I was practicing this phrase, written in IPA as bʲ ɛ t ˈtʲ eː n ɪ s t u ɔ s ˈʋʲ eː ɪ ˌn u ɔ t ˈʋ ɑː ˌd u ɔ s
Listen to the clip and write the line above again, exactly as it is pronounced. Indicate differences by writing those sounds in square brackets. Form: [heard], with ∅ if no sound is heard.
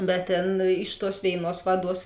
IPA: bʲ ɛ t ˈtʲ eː n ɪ [ʃ] t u ɔ s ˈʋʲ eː ɪ ˌn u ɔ [s] ˈʋ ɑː ˌd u ɔ s

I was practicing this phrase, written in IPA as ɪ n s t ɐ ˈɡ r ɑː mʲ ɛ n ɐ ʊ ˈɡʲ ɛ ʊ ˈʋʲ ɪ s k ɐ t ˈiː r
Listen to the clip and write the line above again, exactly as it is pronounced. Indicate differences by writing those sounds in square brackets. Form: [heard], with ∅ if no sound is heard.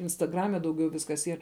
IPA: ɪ n s t ɐ ˈɡ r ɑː mʲ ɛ [d] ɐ ʊ ˈɡʲ ɛ ʊ ˈʋʲ ɪ s k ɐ [s] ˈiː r

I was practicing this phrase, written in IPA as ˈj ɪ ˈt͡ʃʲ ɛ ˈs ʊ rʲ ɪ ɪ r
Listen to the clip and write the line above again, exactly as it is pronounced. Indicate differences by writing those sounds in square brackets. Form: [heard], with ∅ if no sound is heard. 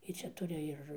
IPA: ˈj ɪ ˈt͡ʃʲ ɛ [ˈt] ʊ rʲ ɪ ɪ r

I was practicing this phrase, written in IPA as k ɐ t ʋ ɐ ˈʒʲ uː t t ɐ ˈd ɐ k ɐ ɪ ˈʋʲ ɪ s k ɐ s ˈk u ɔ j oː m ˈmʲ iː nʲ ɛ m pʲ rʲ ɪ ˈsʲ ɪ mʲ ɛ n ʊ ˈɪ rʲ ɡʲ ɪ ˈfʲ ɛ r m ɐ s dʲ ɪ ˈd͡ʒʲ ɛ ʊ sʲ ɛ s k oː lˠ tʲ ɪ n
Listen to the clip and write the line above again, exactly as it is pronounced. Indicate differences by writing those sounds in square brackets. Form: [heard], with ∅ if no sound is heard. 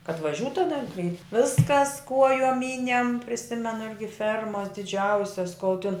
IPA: k ɐ t ʋ ɐ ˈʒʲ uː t t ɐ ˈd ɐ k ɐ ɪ ˈʋʲ ɪ s k ɐ s ˈk u ɔ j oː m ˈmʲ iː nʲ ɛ m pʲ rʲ ɪ ˈsʲ ɪ mʲ ɛ n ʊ ˈɪ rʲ ɡʲ ɪ ˈfʲ ɛ r m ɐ s dʲ ɪ ˈd͡ʒʲ ɛ ʊ sʲ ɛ s k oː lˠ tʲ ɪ n

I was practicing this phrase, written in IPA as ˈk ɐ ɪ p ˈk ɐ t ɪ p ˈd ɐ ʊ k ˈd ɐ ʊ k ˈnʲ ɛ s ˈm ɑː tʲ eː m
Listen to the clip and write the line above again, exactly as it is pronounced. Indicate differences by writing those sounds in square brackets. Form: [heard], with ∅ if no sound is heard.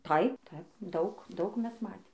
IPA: [ˈt] ɐ ɪ p [ˈt] ɐ [∅] ɪ p ˈd ɐ ʊ k ˈd ɐ ʊ k [ˈmʲ] ɛ s ˈm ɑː tʲ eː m

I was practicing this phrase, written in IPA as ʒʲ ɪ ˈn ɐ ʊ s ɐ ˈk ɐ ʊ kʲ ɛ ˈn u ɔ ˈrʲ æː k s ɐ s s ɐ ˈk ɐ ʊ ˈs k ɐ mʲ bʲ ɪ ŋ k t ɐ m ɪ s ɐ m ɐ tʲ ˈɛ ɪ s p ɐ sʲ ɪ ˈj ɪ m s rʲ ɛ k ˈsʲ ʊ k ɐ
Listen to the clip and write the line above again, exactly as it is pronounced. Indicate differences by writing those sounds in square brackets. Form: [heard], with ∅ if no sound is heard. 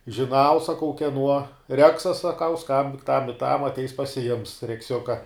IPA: ʒʲ ɪ ˈn ɐ ʊ s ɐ ˈk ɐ ʊ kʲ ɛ ˈn u ɔ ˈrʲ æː k s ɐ s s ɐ ˈk ɐ ʊ ˈs k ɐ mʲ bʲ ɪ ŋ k t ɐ m ɪ [t] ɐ m ɐ tʲ ˈɛ ɪ s p ɐ sʲ ɪ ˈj ɪ m s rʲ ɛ k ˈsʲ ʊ k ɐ

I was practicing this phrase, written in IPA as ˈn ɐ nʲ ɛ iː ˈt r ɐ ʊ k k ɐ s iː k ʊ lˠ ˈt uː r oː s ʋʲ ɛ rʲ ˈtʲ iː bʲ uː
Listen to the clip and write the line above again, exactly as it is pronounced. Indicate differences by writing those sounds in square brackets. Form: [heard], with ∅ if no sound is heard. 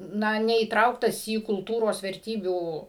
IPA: ˈn ɐ nʲ ɛ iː ˈt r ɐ ʊ k [t] ɐ s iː k ʊ lˠ ˈt uː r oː s ʋʲ ɛ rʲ ˈtʲ iː bʲ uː

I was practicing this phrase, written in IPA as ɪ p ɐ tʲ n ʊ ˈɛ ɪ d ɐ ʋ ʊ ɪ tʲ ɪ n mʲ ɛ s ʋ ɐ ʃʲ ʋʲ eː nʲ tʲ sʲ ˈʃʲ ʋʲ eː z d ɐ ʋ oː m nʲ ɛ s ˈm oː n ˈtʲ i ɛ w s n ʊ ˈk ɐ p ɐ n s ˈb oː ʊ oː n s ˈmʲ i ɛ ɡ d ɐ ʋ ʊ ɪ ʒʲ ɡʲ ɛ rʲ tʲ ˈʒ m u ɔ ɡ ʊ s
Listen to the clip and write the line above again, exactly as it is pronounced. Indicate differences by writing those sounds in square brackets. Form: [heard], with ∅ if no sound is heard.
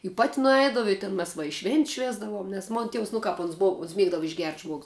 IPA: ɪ p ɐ tʲ n ʊ ˈɛ ɪ d ɐ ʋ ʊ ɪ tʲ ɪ n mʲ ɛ s ʋ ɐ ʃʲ ʋʲ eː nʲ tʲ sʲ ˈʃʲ ʋʲ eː z d ɐ ʋ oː m nʲ ɛ s ˈm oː n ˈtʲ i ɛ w s n ʊ ˈk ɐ p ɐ n s ˈb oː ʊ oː n s ˈmʲ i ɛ ɡ d ɐ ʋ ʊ ɪ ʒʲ ɡʲ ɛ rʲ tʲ ˈʒ m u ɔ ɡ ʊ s

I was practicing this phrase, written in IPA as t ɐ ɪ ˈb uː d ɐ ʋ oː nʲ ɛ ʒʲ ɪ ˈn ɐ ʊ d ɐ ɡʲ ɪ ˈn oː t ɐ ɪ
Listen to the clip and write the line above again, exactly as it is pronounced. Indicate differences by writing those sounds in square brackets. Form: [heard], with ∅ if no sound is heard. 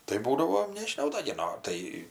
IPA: t ɐ ɪ ˈb uː d ɐ ʋ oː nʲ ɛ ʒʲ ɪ ˈn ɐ ʊ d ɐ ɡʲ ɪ ˈn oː t ɐ ɪ

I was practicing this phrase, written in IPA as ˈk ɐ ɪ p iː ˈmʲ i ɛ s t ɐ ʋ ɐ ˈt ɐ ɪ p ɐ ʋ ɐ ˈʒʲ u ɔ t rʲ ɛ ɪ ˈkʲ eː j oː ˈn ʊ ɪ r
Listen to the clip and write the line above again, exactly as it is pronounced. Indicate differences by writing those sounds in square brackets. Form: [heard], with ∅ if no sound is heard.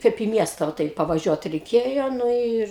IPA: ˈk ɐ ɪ p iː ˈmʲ i ɛ s t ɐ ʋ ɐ ˈt ɐ ɪ p ɐ ʋ ɐ ˈʒʲ u ɔ t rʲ ɛ ɪ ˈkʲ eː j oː ˈn ʊ ɪ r

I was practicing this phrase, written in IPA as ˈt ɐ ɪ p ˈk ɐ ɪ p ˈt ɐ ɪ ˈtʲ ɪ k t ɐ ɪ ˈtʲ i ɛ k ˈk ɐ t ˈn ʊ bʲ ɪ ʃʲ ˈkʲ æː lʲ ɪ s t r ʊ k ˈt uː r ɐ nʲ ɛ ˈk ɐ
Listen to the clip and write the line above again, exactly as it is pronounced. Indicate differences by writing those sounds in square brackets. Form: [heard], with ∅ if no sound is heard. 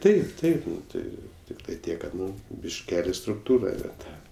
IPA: ˈt ɐ ɪ p [ˈt] ɐ ɪ p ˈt ɐ ɪ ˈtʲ ɪ k t ɐ ɪ ˈtʲ i ɛ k ˈk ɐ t ˈn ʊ bʲ ɪ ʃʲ ˈkʲ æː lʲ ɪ s t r ʊ k ˈt uː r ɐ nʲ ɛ [ˈt] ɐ

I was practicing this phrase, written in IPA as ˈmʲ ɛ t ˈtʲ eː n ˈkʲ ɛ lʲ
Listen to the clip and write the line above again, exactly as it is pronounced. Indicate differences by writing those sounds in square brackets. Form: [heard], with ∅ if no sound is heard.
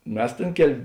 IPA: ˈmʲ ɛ [s] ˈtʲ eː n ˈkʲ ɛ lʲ

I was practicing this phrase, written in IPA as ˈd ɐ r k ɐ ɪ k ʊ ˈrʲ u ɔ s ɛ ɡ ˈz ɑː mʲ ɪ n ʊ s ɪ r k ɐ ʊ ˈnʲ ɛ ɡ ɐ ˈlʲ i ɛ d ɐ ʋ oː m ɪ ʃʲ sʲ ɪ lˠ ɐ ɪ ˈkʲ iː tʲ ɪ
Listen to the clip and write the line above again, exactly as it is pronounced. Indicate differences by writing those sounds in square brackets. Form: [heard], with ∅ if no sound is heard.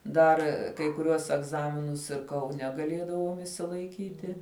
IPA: ˈd ɐ r k ɐ ɪ k ʊ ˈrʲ u ɔ s ɛ ɡ ˈz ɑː mʲ ɪ n ʊ s ɪ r k ɐ ʊ ˈnʲ ɛ ɡ ɐ ˈlʲ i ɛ d ɐ ʋ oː m ɪ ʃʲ sʲ ɪ lˠ ɐ ɪ ˈkʲ iː tʲ ɪ

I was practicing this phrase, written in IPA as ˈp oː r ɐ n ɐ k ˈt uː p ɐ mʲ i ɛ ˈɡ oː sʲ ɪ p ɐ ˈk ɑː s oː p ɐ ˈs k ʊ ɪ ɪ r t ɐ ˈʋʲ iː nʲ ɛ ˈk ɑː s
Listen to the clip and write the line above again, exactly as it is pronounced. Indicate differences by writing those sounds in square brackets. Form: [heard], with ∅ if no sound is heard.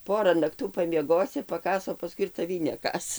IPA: ˈp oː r ɐ n ɐ k ˈt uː p ɐ mʲ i ɛ ˈɡ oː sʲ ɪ p ɐ ˈk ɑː s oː p ɐ ˈs k ʊ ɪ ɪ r t ɐ ˈʋʲ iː nʲ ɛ ˈk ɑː s

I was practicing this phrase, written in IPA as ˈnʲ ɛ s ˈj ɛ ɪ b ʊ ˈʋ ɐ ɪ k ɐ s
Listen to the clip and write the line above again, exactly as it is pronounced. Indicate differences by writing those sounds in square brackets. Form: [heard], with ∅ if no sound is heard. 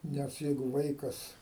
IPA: ˈnʲ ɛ s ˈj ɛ ɪ [ɡ] ʊ ˈʋ ɐ ɪ k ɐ s

